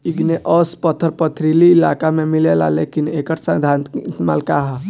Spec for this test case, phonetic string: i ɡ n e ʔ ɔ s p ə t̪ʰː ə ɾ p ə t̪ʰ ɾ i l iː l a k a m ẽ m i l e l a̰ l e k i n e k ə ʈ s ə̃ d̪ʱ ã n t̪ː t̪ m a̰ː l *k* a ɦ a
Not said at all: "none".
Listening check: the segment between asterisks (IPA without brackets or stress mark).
k